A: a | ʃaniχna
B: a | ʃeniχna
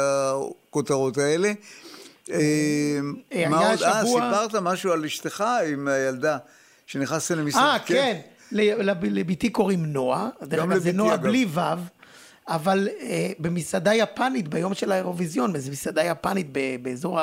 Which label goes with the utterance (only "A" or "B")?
B